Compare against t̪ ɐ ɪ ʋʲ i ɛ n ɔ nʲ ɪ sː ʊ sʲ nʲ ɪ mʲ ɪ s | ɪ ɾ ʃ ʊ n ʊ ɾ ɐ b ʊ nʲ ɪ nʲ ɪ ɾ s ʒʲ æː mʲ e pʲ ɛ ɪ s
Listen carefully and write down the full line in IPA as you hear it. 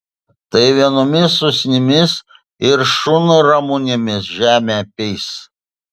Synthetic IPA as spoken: t̪ ɐ ɪ ʋʲ i ɛ n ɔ mʲ ɪ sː ʊ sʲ nʲ ɪ mʲ ɪ s | ɪ ɾ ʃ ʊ n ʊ ɾ ɐ m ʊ nʲ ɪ mʲ ɪ s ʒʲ æː mʲ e pʲ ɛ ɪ s